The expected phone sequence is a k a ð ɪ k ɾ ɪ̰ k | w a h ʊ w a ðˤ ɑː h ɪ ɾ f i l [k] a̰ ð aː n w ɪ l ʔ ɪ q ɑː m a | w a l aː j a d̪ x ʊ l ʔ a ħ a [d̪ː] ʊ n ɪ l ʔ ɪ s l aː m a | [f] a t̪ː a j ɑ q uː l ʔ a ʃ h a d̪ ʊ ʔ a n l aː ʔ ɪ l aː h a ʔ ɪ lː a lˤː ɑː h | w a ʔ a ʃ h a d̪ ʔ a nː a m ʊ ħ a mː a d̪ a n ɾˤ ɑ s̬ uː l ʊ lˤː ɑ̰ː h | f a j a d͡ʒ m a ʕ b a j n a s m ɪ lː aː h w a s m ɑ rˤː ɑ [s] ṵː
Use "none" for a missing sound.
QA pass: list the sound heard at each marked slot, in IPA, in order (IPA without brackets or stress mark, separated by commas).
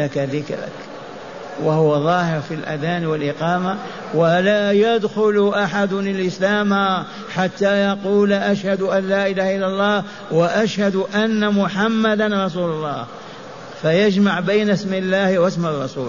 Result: ʔ, d̪, ħ, s